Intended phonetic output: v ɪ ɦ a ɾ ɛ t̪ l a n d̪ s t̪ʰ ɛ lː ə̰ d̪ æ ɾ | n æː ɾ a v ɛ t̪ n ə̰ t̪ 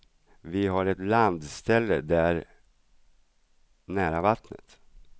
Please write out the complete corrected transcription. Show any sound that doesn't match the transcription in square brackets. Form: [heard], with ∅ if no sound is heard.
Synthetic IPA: v ɪ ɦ a ɾ ɛ t̪ l a n d̪ s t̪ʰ ɛ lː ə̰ d̪ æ ɾ | n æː ɾ a v [a] t̪ n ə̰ t̪